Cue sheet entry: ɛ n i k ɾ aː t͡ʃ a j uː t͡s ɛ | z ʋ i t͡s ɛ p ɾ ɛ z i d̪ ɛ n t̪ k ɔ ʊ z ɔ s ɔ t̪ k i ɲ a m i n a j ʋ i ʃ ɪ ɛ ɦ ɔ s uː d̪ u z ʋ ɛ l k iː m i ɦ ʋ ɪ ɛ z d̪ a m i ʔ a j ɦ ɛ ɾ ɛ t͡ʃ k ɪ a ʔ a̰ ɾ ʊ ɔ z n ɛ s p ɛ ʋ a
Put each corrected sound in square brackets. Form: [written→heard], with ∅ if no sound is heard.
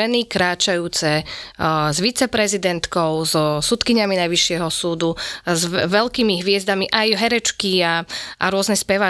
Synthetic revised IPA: ɛ n i k ɾ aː t͡ʃ a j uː t͡s ɛ | z ʋ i t͡s ɛ p ɾ ɛ z i d̪ ɛ n t̪ k ɔ ʊ z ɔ s [ɔ→u] t̪ k i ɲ a m i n a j ʋ i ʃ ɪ ɛ ɦ ɔ s uː d̪ u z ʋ ɛ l k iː m i ɦ ʋ ɪ ɛ z d̪ a m i ʔ a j ɦ ɛ ɾ ɛ t͡ʃ k [ɪ→i] a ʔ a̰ ɾ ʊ ɔ z n ɛ s p ɛ ʋ a